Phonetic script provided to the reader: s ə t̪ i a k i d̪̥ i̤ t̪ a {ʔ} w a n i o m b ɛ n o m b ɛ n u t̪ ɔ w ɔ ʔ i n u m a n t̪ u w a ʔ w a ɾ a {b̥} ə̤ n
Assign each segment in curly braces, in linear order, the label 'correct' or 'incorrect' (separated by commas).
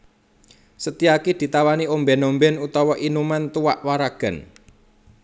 incorrect, incorrect